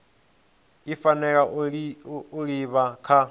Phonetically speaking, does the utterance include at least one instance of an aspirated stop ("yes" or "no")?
yes